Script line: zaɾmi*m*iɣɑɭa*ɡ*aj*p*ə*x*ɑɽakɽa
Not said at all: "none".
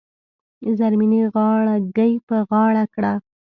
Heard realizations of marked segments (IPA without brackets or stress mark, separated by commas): n, ɡ, p, ɣ